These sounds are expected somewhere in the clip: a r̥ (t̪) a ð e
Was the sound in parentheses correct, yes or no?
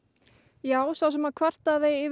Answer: yes